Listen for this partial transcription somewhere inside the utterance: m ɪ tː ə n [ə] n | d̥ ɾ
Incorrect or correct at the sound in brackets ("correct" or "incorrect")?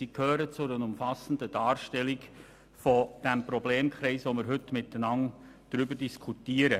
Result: incorrect